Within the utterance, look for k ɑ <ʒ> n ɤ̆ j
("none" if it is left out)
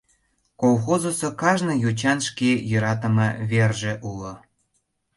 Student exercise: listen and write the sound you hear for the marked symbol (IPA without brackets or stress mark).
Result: ʒ